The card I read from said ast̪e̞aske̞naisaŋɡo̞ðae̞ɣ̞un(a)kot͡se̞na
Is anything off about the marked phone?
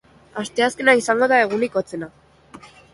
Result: yes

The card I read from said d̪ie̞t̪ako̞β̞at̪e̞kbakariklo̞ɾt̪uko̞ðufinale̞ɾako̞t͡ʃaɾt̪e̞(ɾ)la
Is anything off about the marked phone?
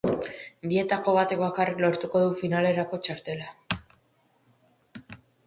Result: yes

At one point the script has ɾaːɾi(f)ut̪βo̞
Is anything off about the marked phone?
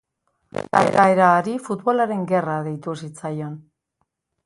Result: no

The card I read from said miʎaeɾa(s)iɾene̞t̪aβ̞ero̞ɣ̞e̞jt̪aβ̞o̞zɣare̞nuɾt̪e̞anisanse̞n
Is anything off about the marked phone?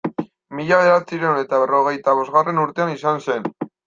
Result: yes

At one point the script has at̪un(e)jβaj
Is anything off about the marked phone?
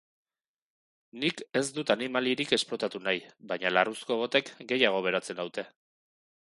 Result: yes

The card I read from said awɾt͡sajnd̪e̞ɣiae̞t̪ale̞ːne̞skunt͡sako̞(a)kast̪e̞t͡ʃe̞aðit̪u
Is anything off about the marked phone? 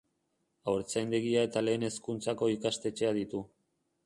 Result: yes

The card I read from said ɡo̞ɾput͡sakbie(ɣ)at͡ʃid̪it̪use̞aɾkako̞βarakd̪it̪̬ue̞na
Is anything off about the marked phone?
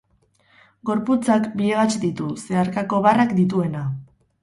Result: no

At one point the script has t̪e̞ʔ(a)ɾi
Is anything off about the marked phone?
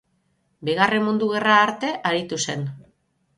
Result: no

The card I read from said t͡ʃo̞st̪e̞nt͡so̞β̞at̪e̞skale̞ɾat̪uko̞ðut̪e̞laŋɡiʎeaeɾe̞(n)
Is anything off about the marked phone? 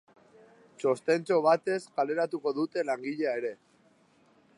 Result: yes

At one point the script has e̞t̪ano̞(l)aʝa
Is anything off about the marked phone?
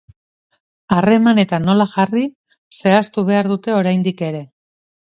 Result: no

